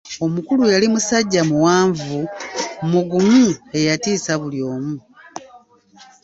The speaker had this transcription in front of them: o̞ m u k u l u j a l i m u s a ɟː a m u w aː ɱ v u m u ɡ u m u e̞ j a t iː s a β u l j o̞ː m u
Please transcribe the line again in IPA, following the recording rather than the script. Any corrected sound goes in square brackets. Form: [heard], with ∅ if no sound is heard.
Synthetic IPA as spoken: o̞ m u k u l u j a l i m u s a ɟː a m u w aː ɱ v u m u ɡ u m u e̞ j a t iː s a β u l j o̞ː m u